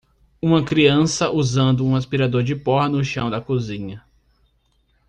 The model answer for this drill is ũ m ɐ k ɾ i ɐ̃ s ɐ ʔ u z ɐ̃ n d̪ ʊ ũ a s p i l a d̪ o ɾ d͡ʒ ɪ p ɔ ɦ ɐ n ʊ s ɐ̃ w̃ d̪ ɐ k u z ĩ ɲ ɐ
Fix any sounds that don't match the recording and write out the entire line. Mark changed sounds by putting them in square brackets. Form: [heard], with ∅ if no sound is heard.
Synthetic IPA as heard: ũ m ɐ k ɾ i ɐ̃ s ɐ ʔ u z ɐ̃ n d̪ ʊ ũ a s p i [ɾ] a d̪ o ɾ d͡ʒ ɪ p ɔ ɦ ɐ n ʊ [ʃ] ɐ̃ w̃ d̪ ɐ k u z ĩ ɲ ɐ